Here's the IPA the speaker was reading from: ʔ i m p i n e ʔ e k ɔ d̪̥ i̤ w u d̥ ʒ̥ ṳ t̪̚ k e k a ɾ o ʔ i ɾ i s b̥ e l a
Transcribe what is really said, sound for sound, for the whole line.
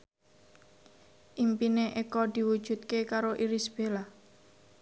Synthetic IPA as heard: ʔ i m p i n e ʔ e k ɔ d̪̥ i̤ w u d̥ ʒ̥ ṳ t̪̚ k e k a ɾ o ʔ i ɾ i s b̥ e l a